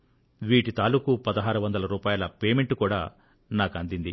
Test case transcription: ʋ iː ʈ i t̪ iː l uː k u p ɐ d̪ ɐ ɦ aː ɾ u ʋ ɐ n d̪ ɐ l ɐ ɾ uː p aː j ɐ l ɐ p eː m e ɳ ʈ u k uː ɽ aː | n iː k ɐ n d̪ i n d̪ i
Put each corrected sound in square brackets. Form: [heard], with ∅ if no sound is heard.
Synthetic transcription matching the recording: ʋ iː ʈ i t̪ [aː] l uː k u p ɐ d̪ ɐ ɦ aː ɾ u ʋ ɐ n d̪ ɐ l ɐ ɾ uː p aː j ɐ l ɐ p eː m e ɳ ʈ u k uː ɽ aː | n [aː] k ɐ n d̪ i n d̪ i